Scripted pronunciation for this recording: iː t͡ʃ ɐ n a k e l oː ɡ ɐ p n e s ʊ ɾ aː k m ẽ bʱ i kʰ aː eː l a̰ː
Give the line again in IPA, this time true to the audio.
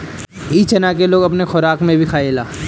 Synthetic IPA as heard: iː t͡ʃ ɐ n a k e l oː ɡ ɐ p n e x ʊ ɾ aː k m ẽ bʱ i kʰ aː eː l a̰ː